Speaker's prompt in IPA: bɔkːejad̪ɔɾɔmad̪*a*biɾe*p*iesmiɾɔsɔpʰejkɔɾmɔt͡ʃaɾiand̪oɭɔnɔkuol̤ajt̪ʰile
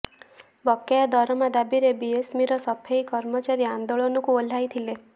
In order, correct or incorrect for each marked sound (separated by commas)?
correct, incorrect